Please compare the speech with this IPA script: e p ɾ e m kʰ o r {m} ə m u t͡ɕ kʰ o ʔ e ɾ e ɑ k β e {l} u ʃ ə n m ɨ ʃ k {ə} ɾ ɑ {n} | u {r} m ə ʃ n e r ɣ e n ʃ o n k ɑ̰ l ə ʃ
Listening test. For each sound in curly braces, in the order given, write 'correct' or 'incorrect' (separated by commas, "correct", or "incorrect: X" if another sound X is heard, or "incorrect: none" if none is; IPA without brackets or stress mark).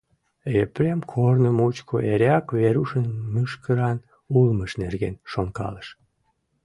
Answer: incorrect: n, incorrect: ɾ, correct, correct, incorrect: l